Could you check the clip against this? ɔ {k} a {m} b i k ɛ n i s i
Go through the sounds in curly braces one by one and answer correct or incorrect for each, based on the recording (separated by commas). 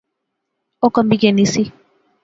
correct, correct